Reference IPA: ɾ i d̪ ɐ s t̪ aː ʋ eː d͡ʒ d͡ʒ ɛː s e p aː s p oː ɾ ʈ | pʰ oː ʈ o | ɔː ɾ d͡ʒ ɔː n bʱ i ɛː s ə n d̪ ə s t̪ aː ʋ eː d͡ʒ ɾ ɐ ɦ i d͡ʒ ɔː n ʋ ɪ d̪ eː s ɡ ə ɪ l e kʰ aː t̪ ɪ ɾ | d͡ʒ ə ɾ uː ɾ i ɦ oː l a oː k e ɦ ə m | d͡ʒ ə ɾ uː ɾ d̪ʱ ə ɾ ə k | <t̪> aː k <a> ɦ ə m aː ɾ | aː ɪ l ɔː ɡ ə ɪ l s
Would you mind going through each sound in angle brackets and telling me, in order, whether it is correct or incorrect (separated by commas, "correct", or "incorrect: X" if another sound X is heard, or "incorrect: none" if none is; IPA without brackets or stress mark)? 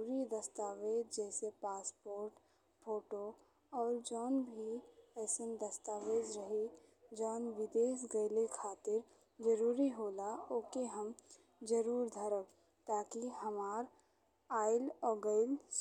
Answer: correct, incorrect: i